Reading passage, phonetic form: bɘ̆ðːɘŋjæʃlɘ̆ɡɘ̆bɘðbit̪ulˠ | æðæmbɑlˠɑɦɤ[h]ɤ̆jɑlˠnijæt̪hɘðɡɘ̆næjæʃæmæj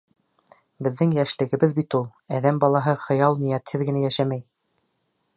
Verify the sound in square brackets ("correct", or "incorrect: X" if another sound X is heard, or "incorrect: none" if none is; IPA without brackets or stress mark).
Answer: incorrect: χ